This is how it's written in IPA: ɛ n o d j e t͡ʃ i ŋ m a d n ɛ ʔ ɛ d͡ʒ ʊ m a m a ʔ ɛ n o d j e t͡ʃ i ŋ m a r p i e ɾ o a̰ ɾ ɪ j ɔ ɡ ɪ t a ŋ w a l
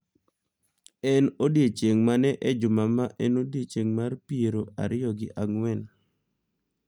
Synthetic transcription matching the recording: ɛ n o d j e t͡ʃ e ŋ m a n ɛ ʔ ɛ d͡ʒ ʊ m a m a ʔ ɛ n o d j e t͡ʃ e ŋ m a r p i e ɾ o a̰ ɾ ɪ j ɔ ɡ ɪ ʔ a ŋ w ɛ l